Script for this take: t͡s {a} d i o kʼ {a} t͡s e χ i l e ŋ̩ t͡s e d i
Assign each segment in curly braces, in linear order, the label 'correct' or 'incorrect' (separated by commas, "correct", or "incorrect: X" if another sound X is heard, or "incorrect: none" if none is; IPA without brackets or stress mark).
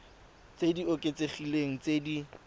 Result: incorrect: e, incorrect: e